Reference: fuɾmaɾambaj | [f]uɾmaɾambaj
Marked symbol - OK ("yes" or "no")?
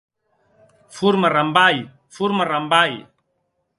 yes